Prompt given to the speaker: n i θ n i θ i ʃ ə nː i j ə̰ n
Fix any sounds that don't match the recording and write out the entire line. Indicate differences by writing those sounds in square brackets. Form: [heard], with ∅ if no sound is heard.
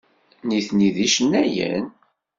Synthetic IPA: n i θ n i [ð] i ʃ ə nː [æ] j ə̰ n

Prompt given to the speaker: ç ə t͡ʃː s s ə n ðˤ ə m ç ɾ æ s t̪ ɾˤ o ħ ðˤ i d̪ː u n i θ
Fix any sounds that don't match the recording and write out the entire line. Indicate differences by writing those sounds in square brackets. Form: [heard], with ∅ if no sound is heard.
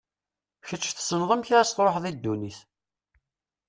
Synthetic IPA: ç ə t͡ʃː [θ] s ə n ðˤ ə m ç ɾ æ s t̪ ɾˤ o ħ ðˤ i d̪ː u n i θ

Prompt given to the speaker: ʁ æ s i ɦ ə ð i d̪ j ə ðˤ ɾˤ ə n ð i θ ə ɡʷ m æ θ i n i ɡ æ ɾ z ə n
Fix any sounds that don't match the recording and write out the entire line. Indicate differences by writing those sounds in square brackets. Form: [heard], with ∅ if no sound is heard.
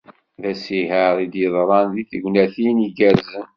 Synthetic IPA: [ð] æ s i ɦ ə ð i d̪ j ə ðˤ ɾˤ [ɑ] n ð i θ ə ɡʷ [n] æ θ i n i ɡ æ ɾ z ə n

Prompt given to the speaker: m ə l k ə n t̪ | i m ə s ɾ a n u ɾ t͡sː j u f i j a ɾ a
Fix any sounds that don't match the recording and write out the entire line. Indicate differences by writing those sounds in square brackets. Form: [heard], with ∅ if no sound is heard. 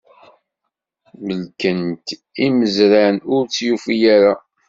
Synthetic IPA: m ə l k ə n t̪ | i m ə [z] ɾ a n [ʊ] ɾ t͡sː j u f i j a ɾ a

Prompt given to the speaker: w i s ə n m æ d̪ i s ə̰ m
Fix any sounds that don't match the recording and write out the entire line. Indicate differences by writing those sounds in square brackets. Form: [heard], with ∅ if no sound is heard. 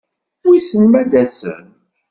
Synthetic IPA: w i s ə n m æ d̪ [æ] s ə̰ [n]

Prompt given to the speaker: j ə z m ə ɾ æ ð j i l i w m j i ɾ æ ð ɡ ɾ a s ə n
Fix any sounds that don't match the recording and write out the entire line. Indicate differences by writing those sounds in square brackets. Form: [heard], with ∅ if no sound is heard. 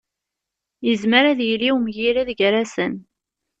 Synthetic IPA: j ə z m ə ɾ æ ð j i l i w m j i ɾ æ ð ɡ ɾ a s ə n

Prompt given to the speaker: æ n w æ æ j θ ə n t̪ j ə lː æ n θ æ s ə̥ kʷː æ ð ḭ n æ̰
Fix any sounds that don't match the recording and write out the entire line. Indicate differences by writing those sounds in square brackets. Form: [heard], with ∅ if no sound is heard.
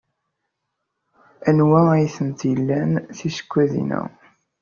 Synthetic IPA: æ n w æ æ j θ ə n t̪ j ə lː æ n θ [i] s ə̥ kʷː æ ð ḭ n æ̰

